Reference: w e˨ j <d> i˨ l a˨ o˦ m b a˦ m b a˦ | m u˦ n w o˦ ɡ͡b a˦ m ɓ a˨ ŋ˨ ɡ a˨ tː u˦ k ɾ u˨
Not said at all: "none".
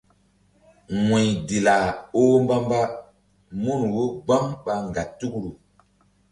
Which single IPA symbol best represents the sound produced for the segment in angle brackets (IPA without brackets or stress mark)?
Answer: d